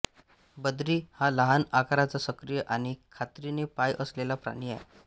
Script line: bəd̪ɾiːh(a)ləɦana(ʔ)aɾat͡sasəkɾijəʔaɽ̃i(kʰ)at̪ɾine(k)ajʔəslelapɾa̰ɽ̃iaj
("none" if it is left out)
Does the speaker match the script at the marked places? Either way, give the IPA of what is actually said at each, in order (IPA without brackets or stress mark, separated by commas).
a, k, kʰ, p